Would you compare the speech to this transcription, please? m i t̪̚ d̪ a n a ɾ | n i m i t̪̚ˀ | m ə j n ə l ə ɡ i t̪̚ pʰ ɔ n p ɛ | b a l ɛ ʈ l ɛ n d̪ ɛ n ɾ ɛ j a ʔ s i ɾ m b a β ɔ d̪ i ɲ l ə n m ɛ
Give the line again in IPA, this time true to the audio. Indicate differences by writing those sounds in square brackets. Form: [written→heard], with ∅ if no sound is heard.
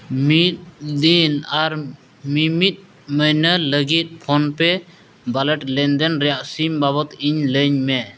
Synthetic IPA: m i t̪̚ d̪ [a→i] n a ɾ | [n→m] i m i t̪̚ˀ | m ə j n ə l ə ɡ i t̪̚ pʰ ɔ n p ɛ | b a l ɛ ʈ l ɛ n d̪ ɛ n ɾ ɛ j a ʔ s i [ɾ→∅] m b a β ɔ [d̪→t̪] i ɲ l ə [n→ɲ] m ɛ